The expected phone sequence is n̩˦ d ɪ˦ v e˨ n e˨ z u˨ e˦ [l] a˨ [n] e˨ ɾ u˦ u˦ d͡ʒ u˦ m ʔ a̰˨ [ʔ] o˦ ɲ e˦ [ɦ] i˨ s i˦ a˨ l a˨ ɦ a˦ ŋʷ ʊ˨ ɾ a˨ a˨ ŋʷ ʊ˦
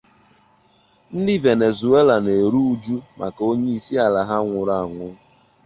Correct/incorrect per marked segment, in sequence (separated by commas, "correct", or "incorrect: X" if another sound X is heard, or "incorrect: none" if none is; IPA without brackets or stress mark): correct, correct, incorrect: k, incorrect: none